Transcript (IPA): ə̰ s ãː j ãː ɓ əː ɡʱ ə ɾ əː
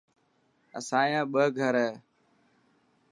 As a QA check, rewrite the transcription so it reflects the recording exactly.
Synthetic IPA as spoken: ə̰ s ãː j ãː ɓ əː ɡʱ ə ɾ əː